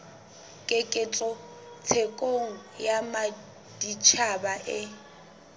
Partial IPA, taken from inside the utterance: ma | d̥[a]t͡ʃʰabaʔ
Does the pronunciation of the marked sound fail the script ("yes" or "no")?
yes